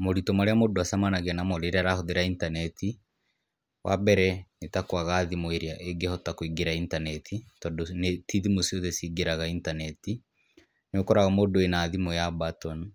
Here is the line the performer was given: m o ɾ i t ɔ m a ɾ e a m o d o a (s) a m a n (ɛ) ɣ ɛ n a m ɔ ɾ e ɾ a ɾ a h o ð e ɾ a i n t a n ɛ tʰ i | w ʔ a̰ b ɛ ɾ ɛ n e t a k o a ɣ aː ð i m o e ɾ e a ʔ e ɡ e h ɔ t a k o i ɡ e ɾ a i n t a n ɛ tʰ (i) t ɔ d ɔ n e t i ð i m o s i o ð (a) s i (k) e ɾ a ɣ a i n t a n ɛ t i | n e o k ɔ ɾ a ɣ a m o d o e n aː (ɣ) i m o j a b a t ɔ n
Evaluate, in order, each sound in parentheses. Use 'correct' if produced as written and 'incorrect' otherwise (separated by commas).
correct, incorrect, correct, incorrect, incorrect, incorrect